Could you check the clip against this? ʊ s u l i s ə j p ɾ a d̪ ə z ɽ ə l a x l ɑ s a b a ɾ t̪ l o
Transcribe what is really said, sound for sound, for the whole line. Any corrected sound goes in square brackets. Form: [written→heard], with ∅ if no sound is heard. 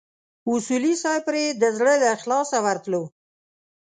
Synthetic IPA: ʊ s u l i s [ə→ɑ] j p ɾ [a→e] d̪ ə z ɽ ə l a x l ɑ s a [b→w] a ɾ t̪ l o